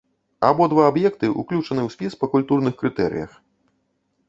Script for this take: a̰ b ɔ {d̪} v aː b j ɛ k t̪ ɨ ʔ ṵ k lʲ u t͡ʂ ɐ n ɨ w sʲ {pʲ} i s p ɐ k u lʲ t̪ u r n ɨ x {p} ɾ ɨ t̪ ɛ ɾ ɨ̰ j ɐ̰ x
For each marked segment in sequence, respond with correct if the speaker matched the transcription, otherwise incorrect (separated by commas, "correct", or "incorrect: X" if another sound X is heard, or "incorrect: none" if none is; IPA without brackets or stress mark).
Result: correct, correct, incorrect: k